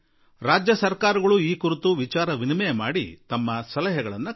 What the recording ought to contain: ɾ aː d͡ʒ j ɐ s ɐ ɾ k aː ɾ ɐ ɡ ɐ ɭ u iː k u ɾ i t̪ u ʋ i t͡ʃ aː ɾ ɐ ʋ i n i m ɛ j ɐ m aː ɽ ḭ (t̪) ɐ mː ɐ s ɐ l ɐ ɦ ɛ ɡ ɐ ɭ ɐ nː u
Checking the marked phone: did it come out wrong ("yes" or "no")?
no